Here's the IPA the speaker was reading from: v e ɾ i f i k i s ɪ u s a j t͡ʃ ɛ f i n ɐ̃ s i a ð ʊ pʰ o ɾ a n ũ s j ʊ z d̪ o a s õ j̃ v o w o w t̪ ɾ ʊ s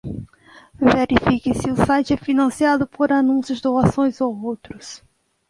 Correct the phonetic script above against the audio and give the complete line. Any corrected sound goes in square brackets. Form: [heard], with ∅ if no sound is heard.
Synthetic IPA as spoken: v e ɾ i f i k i s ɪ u s a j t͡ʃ ɛ f i n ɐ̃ s i a ð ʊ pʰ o ɾ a n ũ s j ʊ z d̪ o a s õ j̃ [z] o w o w t̪ ɾ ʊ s